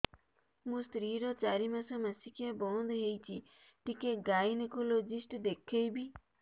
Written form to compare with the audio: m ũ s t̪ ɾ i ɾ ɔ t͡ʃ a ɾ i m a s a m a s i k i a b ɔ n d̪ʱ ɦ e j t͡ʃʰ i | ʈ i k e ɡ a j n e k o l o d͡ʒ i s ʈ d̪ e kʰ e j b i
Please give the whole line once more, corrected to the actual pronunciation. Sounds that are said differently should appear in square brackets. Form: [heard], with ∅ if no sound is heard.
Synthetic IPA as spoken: m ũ s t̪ ɾ i ɾ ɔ t͡ʃ a ɾ i m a s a m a s i k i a b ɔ n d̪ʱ ɦ e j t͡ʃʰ i | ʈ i k e ɡ a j n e k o l o d͡ʒ i s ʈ d̪ e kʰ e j b i